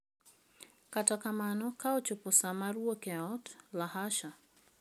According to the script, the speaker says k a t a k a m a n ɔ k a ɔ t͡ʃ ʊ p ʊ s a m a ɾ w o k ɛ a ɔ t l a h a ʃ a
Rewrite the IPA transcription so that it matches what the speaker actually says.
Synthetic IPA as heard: k a t a k a m a n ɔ k a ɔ t͡ʃ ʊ p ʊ s a m a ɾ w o k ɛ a ɔ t l a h a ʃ a